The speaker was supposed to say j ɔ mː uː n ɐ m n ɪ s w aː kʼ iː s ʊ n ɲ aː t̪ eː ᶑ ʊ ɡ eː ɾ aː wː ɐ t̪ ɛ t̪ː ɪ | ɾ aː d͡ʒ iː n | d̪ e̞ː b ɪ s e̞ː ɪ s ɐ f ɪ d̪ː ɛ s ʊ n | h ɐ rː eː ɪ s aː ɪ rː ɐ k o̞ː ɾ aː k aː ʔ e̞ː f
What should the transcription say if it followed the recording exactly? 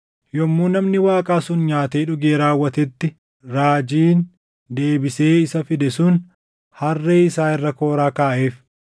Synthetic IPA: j ɔ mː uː n ɐ m n ɪ w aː kʼ aː s ʊ n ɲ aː t̪ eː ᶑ ʊ ɡ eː ɾ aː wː ɐ t̪ ɛ t̪ː ɪ | ɾ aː d͡ʒ iː n | d̪ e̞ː b ɪ s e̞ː ɪ s ɐ f ɪ d̪ ɛ s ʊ n | h ɐ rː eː ɪ s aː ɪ rː ɐ k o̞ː ɾ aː k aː ʔ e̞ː f